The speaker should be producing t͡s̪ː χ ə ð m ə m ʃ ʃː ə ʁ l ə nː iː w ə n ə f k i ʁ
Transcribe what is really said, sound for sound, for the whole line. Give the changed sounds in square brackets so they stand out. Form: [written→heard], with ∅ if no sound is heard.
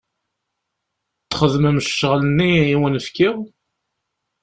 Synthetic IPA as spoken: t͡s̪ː χ ə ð m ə m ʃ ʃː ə ʁ l ə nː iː w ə n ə f k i ʁ